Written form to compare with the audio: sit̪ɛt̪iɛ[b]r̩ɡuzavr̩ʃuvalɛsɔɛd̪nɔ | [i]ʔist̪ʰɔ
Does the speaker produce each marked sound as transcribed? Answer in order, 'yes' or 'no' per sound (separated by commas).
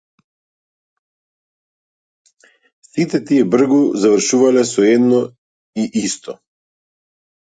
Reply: yes, yes